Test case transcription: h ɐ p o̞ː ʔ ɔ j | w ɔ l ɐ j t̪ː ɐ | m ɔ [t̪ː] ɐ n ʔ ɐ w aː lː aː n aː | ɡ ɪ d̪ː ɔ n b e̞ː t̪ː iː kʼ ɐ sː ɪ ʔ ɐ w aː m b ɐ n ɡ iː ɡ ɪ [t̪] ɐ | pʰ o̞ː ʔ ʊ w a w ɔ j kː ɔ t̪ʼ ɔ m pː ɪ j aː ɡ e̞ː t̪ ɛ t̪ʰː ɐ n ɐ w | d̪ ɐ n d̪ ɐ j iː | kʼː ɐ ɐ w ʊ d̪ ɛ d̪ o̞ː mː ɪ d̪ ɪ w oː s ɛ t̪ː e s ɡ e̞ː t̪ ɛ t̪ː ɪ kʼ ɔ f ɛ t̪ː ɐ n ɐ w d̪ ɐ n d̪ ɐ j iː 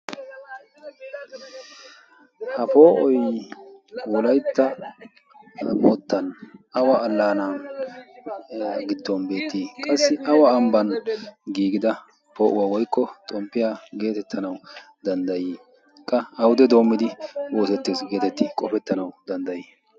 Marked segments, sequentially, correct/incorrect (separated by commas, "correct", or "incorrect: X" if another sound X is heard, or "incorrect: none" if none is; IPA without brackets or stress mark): correct, incorrect: d̪